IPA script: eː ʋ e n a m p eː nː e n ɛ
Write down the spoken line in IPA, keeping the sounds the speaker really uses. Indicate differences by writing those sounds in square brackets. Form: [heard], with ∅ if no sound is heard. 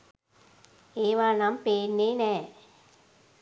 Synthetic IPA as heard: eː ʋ [a] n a m p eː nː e n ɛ